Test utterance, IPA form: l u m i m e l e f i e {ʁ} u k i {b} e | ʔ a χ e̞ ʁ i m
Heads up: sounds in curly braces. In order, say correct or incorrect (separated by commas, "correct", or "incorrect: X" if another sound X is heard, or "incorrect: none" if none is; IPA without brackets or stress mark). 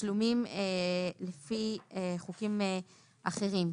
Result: incorrect: χ, incorrect: m